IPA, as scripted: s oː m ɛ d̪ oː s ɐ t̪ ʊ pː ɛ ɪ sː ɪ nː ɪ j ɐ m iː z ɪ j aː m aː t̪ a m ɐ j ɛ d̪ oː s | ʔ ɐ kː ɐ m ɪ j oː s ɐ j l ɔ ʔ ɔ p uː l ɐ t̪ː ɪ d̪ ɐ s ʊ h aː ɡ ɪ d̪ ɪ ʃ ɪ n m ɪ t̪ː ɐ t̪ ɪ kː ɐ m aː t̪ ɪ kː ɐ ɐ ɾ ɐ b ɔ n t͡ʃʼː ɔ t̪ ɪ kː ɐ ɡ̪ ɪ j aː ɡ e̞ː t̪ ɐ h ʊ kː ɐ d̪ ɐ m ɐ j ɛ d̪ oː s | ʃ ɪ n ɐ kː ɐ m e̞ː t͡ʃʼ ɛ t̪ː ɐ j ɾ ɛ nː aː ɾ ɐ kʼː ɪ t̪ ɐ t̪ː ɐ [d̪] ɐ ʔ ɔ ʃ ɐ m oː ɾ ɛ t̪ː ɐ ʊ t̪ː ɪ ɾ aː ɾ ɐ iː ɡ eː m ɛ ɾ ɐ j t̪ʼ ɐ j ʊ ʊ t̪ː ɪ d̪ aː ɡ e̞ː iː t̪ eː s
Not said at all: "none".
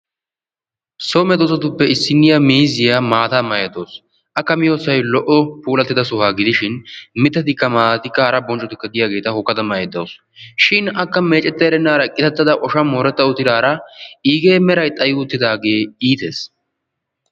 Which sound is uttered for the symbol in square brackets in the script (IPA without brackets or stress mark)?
d̪